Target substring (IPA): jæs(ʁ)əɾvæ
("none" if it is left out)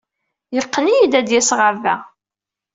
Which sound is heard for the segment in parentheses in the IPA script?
ʁ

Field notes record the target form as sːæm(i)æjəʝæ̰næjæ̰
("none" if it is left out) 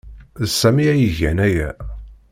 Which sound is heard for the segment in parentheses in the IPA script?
i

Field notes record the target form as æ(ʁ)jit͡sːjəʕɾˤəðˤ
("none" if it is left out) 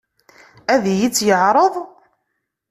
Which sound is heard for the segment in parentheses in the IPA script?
ð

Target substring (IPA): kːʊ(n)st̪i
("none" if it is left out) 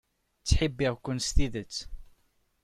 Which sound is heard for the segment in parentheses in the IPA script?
n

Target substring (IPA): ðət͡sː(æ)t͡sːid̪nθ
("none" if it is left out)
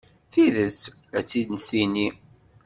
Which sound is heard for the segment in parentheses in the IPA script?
æ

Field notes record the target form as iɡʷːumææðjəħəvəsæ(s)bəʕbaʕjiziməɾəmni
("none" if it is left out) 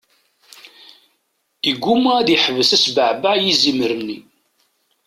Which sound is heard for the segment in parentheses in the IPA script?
s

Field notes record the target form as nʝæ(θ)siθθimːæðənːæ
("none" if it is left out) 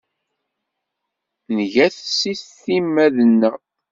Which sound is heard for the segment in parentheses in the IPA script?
θ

